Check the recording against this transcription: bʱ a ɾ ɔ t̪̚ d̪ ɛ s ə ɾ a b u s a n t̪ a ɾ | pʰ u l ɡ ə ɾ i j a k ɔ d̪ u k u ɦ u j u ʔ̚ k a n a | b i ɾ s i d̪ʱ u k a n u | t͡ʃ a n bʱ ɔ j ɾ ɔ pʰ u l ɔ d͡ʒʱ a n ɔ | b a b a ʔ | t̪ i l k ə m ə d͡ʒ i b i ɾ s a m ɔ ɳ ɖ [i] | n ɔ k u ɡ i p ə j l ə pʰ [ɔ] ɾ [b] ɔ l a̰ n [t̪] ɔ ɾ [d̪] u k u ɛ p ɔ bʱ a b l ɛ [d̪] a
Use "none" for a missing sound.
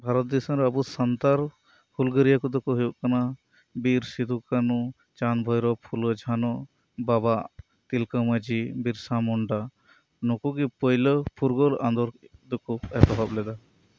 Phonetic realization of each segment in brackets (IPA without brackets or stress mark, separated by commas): a, u, ɡ, d̪, d̪, d̪